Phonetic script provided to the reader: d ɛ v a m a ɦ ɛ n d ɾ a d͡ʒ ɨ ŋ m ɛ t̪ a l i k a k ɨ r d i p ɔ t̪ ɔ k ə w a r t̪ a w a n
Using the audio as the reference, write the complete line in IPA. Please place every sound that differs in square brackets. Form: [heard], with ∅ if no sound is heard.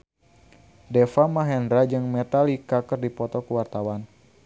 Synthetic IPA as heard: d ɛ [f] a m a ɦ ɛ n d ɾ a d͡ʒ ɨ ŋ m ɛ t̪ a l i k a k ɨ r d i p ɔ t̪ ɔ k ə w a r t̪ a w a n